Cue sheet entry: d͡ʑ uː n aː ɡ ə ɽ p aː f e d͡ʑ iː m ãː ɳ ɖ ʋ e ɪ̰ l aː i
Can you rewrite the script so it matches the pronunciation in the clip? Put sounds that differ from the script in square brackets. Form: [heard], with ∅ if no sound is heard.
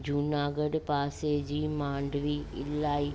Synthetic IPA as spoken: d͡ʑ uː n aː ɡ ə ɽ p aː [s] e d͡ʑ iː m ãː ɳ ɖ ʋ [i] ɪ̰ l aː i